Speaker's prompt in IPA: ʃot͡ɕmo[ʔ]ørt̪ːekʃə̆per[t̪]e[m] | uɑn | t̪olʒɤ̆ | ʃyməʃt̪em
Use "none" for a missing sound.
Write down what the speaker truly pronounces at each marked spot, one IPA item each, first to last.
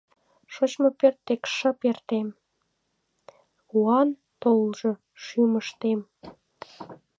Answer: p, t̪, m

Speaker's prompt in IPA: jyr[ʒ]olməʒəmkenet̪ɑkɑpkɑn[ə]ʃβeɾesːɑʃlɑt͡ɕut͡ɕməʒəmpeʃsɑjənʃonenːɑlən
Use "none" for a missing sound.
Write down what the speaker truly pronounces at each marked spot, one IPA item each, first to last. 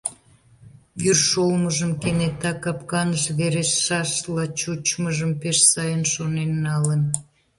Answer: ʃ, ə

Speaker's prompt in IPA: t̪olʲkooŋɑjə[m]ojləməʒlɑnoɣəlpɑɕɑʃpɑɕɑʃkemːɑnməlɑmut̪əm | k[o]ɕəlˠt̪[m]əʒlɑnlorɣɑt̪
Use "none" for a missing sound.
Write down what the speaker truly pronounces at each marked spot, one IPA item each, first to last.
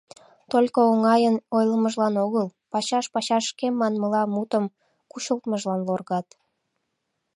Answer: n, u, m

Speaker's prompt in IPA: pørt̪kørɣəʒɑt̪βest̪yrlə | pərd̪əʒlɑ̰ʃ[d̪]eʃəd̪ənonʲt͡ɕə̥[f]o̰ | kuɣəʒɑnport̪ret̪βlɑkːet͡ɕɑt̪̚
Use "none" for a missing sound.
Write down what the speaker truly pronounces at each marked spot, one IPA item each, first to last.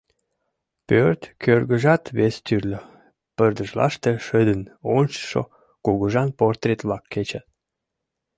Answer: t̪, ʃ

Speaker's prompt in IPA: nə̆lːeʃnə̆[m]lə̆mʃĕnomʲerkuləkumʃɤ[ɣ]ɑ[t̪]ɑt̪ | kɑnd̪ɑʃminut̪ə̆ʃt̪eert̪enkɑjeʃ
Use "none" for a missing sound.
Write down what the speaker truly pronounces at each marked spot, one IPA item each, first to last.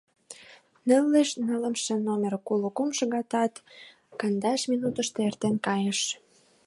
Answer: none, ɣ, t̪

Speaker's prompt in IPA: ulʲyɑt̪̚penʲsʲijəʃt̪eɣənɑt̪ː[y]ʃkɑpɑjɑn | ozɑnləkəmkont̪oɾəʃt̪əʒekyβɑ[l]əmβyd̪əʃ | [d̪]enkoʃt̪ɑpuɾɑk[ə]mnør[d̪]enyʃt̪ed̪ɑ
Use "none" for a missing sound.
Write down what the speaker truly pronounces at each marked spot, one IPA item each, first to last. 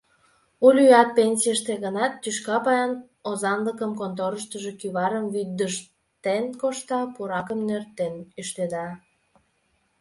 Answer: y, ɾ, t̪, ə, t̪

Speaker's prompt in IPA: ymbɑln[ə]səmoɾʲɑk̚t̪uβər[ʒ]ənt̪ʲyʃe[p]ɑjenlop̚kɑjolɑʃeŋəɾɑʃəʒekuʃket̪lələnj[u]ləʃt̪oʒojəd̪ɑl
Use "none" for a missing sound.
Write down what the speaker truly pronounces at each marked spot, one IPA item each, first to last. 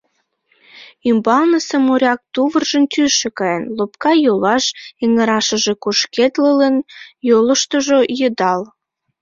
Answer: ə, ʒ, k, o

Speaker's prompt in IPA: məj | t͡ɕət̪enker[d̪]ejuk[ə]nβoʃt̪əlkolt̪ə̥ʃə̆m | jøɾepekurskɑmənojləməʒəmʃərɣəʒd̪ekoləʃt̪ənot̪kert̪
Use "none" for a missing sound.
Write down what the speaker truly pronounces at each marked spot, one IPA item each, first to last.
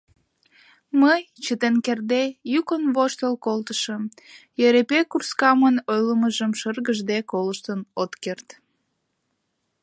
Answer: d̪, ə

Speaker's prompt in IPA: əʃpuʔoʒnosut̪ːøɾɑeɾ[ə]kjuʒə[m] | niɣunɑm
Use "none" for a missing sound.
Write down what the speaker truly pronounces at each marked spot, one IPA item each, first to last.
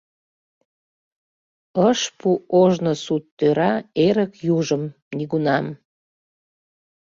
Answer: ə, m

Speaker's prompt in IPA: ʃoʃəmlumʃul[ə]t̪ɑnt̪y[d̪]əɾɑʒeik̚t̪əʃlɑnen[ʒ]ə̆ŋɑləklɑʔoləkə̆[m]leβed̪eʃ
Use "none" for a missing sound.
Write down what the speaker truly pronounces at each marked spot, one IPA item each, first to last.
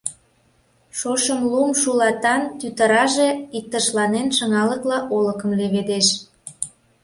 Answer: ɑ, t̪, ʃ, m

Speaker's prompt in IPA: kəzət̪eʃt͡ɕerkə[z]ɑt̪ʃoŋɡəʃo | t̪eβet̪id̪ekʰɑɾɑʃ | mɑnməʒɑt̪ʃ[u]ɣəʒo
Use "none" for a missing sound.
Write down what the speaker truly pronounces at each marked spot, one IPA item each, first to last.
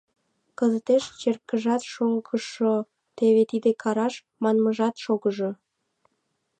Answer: ʒ, o

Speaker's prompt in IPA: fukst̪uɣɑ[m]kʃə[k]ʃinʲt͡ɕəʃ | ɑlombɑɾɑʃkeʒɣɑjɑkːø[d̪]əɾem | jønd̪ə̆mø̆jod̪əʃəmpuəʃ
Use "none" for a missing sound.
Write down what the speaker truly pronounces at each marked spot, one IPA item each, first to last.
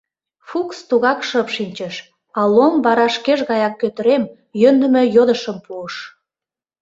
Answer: none, p, t̪

